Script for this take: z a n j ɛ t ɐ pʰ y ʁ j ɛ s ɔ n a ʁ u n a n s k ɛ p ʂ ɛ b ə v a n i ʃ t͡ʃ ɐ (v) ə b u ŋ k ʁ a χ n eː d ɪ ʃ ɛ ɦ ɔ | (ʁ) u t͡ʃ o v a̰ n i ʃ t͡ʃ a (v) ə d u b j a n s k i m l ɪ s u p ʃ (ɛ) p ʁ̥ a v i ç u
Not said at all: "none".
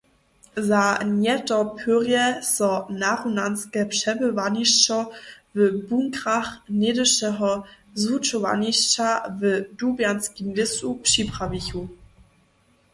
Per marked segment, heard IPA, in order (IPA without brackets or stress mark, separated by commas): v, z, v, i